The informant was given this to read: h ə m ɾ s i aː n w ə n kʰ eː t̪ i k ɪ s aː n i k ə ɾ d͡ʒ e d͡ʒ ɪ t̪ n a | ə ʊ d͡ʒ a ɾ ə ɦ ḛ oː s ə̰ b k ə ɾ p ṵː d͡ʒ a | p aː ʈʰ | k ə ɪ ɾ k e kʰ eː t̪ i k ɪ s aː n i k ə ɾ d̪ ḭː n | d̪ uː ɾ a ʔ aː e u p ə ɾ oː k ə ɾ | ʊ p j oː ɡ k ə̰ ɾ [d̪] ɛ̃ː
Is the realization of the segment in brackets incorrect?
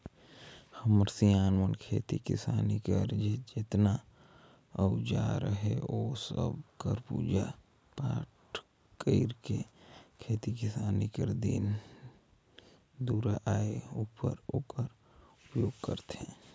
yes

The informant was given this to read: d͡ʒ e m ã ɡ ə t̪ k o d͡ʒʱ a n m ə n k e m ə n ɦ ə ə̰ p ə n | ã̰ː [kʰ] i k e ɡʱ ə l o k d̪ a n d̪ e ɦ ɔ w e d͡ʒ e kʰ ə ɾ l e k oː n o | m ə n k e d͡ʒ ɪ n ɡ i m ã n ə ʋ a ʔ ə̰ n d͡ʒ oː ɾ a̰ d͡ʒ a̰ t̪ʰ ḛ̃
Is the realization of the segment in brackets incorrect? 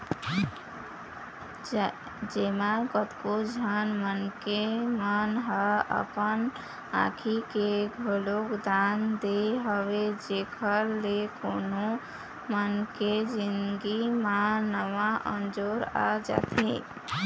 no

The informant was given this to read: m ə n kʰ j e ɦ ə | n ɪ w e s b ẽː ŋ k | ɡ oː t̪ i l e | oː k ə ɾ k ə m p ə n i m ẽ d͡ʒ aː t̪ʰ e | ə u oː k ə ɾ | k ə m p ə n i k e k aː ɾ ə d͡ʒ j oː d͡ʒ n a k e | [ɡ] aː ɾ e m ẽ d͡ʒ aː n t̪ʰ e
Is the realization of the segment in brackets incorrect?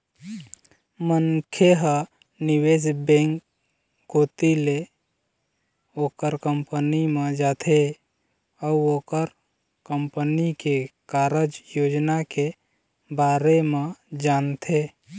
yes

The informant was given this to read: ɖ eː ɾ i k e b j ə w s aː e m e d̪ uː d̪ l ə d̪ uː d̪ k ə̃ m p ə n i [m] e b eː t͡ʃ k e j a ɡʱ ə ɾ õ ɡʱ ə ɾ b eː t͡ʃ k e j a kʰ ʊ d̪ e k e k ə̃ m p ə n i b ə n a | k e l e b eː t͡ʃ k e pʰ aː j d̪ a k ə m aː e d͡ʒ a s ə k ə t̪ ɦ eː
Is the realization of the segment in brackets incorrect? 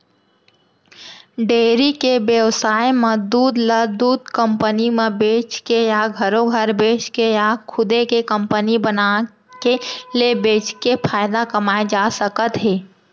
no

